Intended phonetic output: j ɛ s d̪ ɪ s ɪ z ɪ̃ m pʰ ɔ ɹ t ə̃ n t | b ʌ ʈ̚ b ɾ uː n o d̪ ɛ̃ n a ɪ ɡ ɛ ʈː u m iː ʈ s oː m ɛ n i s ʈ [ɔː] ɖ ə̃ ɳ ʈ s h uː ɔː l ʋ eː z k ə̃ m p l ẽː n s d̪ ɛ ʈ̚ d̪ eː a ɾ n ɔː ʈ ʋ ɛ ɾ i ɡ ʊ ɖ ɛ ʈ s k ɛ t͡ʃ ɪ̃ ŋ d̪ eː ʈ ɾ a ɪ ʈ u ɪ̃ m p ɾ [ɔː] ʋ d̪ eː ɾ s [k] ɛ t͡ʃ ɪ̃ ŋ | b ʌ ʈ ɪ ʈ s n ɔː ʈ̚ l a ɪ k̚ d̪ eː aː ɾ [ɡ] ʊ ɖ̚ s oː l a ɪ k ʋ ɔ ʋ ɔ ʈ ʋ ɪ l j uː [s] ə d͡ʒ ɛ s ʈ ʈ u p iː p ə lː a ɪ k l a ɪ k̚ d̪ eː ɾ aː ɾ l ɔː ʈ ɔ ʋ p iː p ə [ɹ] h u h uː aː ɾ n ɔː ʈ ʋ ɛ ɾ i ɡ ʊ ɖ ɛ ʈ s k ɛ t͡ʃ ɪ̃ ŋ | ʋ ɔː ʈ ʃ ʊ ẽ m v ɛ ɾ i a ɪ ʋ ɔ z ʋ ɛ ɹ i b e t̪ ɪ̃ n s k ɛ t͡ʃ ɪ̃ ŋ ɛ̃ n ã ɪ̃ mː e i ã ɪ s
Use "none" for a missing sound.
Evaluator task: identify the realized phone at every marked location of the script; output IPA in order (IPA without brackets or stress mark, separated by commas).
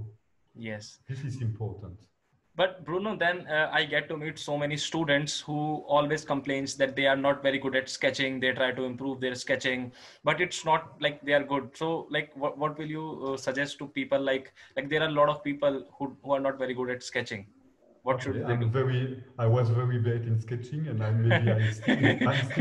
uː, uː, k, ɡ, s, l